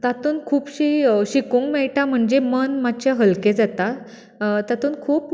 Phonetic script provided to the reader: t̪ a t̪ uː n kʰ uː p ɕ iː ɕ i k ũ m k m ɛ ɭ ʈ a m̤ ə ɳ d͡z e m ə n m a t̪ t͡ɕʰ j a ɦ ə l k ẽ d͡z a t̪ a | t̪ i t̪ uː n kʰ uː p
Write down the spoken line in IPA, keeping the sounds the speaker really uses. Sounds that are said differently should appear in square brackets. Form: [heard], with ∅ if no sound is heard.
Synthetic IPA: t̪ a t̪ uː n kʰ uː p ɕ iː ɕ i k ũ [ŋ] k m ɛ ɭ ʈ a m̤ ə ɳ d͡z e m ə n m a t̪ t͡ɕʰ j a ɦ ə l k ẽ d͡z a t̪ a | t̪ [a] t̪ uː n kʰ uː p